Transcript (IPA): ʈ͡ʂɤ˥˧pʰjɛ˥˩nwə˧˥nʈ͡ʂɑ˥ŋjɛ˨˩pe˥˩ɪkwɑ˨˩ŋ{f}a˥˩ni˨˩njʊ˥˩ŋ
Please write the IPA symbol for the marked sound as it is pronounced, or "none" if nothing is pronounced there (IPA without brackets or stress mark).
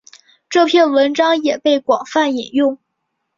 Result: f